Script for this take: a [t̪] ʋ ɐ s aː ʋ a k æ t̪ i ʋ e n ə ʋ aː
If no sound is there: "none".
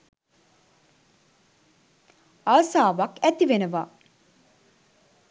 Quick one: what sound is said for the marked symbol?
none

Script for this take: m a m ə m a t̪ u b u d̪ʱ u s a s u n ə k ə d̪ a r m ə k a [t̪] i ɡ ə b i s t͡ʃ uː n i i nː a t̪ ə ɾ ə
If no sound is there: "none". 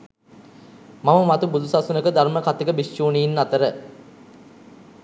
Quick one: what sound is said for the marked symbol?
t̪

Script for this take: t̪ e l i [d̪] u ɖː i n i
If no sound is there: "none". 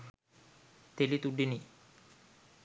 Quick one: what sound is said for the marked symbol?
t̪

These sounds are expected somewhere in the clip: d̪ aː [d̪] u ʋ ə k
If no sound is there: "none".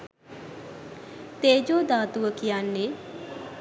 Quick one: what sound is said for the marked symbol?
t̪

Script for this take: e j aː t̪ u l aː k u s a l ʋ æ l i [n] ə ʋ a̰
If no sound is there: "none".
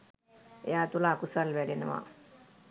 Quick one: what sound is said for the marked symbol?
n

